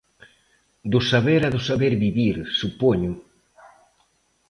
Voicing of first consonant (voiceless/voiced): voiced